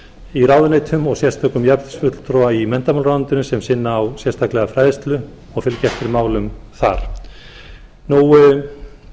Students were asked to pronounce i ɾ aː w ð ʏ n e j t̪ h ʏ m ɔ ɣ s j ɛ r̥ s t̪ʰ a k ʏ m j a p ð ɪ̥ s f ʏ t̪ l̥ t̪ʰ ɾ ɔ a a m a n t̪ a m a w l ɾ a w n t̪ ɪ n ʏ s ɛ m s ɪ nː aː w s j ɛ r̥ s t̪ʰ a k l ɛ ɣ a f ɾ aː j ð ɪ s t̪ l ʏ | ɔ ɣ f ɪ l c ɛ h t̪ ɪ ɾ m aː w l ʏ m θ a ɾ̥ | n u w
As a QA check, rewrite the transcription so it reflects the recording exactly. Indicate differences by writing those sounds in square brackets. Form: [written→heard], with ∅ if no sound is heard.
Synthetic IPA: i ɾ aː w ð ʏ n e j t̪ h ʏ m ɔ ɣ s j ɛ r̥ s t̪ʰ a k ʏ m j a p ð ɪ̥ s f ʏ t̪ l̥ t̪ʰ ɾ ɔ a [a→i] m [a→ɛ] n t̪ a m a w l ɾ a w n t̪ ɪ n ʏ s ɛ m s ɪ nː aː w s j ɛ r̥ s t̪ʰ a k l ɛ ɣ a f ɾ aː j ð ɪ s t̪ l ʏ | ɔ ɣ f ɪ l c ɛ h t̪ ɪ ɾ m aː w l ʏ m θ a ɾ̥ | n u w